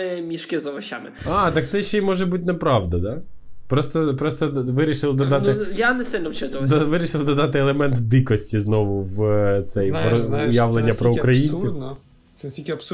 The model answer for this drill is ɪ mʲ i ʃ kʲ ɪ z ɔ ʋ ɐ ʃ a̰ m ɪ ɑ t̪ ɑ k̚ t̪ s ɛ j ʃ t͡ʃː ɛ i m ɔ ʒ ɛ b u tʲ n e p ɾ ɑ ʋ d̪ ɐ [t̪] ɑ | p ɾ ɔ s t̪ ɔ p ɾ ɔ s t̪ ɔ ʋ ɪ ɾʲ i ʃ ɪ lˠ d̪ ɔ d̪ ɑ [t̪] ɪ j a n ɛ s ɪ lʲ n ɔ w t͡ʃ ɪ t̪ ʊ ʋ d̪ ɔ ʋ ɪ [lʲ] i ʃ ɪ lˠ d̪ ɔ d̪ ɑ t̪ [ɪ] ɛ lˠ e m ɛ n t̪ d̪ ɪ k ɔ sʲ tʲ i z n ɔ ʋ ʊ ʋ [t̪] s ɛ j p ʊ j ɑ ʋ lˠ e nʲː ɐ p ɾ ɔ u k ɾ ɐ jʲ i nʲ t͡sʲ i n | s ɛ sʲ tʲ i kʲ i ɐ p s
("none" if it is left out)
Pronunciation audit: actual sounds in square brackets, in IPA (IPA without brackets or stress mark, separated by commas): d̪, t̪, ɾʲ, ɪ, t̪